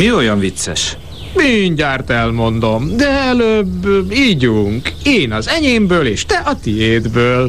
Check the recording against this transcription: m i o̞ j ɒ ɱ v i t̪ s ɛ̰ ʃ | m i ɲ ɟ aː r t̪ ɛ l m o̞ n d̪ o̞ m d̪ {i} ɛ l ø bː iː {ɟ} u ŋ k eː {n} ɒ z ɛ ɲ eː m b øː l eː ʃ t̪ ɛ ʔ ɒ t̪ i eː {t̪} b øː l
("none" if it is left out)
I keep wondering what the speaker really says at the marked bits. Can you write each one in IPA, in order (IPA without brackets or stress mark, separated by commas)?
ɛ, ɟ, n, d̪